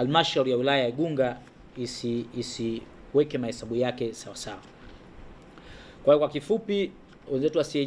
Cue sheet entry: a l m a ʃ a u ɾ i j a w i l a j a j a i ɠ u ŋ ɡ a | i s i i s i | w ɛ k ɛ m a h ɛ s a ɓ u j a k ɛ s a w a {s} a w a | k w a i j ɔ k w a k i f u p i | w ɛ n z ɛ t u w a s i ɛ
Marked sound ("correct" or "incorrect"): correct